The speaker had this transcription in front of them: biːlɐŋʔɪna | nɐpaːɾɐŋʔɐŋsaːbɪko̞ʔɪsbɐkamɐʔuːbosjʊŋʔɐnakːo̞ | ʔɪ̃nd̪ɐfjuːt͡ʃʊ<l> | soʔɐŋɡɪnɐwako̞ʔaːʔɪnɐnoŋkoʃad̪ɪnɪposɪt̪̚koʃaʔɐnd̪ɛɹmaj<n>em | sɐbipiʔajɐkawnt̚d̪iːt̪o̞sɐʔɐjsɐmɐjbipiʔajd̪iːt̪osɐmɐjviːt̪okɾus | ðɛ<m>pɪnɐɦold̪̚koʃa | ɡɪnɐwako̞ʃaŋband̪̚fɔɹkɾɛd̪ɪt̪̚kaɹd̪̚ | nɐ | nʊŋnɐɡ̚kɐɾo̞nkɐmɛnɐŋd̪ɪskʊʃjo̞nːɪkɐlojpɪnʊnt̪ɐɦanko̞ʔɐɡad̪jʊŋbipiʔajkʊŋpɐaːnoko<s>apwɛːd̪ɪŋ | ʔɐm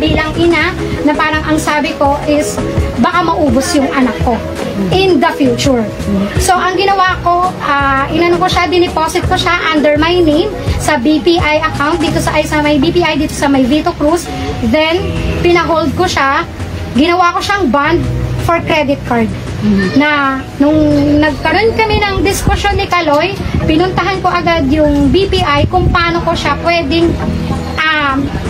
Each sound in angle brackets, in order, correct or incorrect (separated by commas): incorrect, correct, incorrect, incorrect